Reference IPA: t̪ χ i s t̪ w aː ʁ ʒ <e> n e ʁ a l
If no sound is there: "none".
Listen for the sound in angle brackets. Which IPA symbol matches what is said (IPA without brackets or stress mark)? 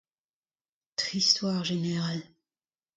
e